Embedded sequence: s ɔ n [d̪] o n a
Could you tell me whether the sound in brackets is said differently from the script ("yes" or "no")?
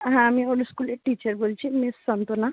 yes